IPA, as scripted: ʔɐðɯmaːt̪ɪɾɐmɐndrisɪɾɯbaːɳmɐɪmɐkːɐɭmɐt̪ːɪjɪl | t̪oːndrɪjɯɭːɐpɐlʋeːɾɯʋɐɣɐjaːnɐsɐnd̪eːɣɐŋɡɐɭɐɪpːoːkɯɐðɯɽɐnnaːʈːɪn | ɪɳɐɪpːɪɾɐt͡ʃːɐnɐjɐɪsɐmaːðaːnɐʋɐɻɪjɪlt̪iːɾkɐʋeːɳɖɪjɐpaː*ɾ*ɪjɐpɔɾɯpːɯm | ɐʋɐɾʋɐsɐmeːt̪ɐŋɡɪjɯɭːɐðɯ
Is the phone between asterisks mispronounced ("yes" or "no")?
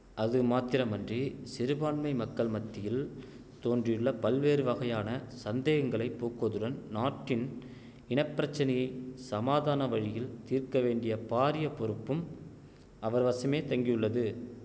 no